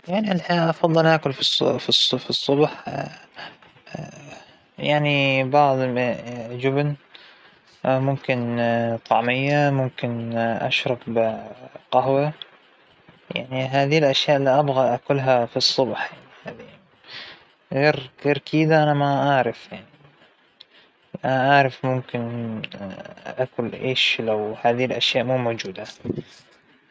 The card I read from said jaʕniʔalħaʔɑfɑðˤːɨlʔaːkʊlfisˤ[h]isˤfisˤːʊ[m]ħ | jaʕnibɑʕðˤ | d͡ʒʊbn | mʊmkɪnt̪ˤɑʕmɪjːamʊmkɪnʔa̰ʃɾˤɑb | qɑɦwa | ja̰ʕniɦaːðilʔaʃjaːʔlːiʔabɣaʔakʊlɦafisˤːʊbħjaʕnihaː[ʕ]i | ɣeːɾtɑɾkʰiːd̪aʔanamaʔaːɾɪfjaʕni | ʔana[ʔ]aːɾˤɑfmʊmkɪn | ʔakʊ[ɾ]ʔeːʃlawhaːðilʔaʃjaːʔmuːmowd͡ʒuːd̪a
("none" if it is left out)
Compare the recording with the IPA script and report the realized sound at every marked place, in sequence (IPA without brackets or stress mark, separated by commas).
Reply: f, b, ð, ʔ, l